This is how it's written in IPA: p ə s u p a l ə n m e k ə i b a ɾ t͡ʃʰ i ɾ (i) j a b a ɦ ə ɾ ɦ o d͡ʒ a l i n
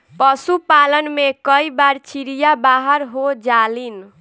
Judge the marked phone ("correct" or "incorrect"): correct